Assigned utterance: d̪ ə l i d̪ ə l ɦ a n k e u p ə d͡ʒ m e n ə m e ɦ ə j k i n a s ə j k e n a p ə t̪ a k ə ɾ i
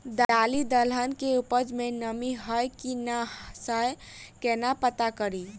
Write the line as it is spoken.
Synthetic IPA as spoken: d̪ a l i d̪ ə l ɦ ə n k e u p ə d͡ʒ m e n ə m i ɦ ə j k i n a s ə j k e n a p ə t̪ a k ə ɾ i